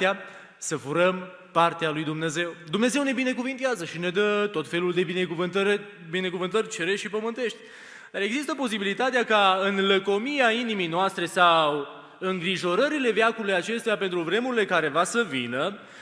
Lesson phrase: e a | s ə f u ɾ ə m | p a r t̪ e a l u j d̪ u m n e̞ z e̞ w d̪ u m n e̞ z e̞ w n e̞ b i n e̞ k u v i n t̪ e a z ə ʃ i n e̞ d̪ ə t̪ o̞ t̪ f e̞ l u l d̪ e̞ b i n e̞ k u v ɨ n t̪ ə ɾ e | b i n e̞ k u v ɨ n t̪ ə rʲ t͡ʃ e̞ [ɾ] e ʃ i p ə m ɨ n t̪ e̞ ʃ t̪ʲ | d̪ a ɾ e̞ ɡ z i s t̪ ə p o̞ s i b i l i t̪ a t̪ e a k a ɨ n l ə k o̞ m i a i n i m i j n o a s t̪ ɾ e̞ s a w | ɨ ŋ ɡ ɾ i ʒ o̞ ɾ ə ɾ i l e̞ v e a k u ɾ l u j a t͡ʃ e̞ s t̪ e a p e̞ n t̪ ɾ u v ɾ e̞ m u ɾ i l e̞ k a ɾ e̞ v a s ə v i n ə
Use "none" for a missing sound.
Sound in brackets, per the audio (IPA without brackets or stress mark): ɾ